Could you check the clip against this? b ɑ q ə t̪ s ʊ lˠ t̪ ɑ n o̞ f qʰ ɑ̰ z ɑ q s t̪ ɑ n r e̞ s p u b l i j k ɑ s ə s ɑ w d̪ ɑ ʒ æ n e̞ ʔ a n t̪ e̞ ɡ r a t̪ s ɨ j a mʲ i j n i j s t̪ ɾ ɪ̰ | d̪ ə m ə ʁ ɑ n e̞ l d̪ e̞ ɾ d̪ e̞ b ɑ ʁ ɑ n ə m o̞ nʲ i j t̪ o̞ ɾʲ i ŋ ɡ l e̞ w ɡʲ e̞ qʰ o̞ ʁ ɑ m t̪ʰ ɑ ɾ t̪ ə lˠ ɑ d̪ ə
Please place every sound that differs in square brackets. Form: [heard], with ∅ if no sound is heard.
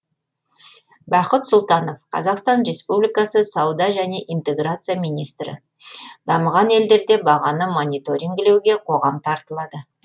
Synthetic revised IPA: b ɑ q ə t̪ s ʊ lˠ t̪ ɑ n o̞ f qʰ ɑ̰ z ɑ q s t̪ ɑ n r e̞ s p u b l i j k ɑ s ə s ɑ w d̪ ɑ ʒ æ n e̞ ʔ [i] n t̪ e̞ ɡ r a t̪ s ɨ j a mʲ i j n i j s t̪ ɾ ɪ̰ | d̪ [ɑ] m ə ʁ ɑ n e̞ l d̪ e̞ ɾ d̪ e̞ b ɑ ʁ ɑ n ə m o̞ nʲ i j t̪ o̞ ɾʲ i ŋ ɡ l e̞ w ɡʲ e̞ qʰ o̞ ʁ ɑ m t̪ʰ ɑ ɾ t̪ ə lˠ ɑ d̪ ə